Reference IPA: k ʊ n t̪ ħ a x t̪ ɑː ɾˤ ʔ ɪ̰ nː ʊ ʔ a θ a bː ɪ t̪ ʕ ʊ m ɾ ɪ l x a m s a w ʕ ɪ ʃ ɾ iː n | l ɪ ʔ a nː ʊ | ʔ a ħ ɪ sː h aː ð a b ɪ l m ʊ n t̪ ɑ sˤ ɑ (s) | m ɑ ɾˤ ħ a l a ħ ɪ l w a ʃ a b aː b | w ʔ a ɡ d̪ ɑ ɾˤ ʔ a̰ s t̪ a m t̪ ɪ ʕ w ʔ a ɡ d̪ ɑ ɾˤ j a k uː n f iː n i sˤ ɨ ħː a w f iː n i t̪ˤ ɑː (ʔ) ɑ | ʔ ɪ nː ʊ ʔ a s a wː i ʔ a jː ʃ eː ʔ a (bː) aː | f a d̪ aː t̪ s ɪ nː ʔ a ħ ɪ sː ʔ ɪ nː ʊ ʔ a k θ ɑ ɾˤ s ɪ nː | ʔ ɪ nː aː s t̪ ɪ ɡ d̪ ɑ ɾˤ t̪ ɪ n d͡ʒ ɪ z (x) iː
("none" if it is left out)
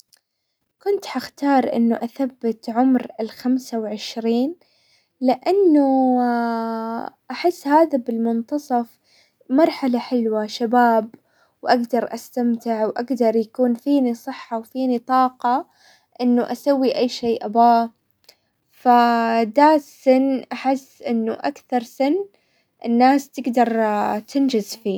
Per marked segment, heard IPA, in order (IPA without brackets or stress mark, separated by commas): f, q, b, f